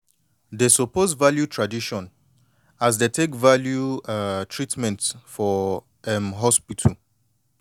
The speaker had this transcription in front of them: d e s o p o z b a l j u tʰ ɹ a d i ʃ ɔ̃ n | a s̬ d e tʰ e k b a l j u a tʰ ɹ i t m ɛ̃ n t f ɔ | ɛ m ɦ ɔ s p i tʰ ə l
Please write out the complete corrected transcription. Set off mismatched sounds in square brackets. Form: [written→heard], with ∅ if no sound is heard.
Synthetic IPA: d e s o p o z [b→v] a l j u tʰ ɹ a d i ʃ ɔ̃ n | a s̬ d e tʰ e k [b→v] a l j u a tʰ ɹ i t m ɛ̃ n t f ɔ | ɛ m ɦ ɔ s p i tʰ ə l